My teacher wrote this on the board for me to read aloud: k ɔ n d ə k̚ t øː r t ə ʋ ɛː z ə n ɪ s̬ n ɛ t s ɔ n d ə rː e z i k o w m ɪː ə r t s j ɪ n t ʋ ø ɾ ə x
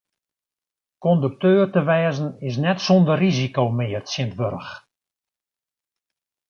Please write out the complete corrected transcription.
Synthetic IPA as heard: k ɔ n d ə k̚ t øː r t ə ʋ ɛː z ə n ɪ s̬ n ɛ t s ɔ n d ə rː i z i k o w m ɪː ə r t s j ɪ n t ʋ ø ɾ ə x